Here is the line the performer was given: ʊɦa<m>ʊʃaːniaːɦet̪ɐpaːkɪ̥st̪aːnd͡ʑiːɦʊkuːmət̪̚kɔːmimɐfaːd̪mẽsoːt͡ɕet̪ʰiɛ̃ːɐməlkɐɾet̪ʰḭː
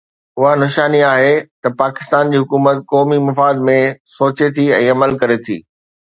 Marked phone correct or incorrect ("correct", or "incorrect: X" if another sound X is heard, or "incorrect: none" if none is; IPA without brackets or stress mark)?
incorrect: n